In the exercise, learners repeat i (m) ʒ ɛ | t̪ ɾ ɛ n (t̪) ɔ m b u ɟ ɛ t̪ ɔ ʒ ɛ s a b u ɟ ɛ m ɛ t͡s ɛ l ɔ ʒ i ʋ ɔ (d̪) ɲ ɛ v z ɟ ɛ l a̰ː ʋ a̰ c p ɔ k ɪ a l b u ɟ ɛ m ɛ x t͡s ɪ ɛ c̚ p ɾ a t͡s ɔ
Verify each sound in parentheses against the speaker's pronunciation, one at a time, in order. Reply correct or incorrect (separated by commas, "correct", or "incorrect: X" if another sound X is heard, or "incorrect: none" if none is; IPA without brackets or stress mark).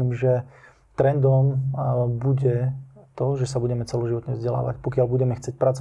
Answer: correct, incorrect: d̪, incorrect: t̪